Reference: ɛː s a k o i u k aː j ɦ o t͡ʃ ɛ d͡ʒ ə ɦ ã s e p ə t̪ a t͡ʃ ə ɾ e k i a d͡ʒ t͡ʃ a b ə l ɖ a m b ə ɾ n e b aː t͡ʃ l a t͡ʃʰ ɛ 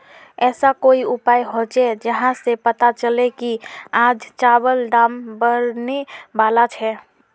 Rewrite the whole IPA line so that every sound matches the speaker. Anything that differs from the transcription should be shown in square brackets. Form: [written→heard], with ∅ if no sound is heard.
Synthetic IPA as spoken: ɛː s a k o i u [k→p] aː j ɦ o t͡ʃ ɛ d͡ʒ ə ɦ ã s e p ə t̪ a t͡ʃ ə [ɾ→l] e k i a d͡ʒ t͡ʃ a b ə l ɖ a m b ə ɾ n e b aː [t͡ʃ→∅] l a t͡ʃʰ ɛ